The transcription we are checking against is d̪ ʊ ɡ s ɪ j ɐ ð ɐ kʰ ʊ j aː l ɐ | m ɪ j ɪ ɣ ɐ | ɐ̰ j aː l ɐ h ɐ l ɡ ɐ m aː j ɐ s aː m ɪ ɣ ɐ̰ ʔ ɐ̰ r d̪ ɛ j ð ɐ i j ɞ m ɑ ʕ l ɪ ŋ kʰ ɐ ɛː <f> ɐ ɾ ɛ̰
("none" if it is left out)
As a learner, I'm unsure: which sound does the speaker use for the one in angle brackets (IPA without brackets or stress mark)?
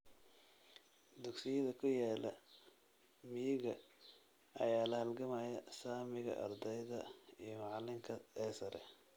s